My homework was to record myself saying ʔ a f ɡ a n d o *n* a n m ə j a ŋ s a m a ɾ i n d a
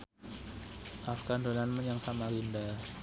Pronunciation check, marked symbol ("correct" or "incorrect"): correct